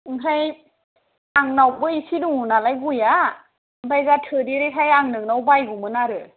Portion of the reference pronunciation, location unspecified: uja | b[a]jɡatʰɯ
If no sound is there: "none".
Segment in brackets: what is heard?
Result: a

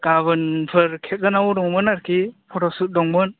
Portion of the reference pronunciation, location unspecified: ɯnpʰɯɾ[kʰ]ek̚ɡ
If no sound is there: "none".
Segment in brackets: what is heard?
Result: kʰ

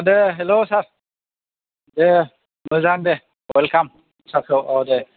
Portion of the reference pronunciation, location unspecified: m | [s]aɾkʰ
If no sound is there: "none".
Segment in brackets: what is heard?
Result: s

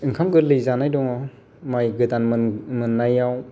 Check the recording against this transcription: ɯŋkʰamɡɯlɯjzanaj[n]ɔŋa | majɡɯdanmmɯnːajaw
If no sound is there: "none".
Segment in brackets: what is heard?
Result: d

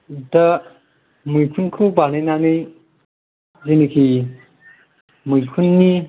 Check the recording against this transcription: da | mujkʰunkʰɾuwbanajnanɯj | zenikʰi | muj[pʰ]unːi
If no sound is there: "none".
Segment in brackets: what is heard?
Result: kʰ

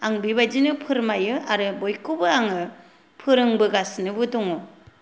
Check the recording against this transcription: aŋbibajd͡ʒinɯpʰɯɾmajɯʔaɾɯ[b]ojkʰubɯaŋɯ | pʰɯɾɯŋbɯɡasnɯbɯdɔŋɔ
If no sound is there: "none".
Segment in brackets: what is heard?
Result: b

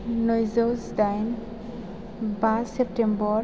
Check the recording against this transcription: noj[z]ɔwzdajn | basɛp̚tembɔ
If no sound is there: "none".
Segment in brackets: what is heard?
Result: z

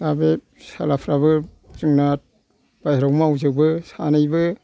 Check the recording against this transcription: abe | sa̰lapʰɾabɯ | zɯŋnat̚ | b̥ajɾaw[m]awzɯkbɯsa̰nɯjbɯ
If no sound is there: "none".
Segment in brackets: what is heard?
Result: m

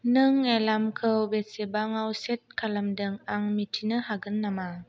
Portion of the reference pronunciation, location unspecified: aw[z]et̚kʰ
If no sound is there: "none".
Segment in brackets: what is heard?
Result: s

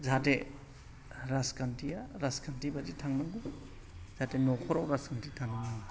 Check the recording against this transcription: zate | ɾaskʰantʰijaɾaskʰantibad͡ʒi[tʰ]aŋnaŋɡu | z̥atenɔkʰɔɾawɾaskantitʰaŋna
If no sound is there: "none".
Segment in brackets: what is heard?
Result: tʰ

